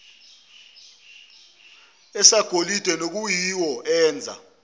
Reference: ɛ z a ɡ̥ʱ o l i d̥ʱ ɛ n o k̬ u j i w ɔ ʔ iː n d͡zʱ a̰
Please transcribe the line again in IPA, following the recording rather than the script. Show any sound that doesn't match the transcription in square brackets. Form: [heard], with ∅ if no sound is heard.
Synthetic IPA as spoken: ɛ [s] a ɡ̥ʱ o l i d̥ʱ ɛ n o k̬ u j i w ɔ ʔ [ɛː] n d͡zʱ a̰